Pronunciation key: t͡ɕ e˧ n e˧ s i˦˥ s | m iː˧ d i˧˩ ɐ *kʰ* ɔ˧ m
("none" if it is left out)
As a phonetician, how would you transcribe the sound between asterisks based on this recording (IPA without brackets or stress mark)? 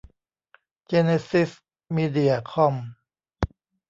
kʰ